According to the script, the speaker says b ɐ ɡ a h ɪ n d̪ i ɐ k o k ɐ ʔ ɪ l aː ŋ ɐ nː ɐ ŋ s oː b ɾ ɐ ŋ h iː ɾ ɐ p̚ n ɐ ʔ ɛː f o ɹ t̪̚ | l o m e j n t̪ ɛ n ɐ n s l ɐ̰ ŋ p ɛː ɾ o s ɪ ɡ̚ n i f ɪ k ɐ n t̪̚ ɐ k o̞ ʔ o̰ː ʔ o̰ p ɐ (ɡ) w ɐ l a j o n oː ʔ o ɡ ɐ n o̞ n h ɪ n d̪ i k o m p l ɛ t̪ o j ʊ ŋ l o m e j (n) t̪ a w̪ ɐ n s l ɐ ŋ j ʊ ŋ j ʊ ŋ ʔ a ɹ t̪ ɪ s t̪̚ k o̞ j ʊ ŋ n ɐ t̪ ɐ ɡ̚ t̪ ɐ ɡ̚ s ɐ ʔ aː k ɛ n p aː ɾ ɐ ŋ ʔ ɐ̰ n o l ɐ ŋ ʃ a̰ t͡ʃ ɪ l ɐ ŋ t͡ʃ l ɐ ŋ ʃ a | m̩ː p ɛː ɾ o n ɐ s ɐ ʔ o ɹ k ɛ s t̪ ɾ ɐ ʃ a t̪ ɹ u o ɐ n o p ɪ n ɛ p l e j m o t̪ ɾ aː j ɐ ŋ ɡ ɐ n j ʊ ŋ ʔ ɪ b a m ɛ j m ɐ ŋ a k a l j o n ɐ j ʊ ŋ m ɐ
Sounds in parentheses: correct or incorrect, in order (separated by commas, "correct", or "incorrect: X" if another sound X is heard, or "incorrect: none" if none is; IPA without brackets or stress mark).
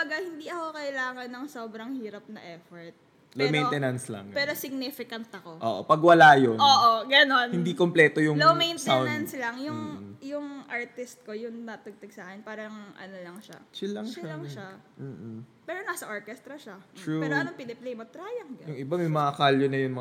correct, correct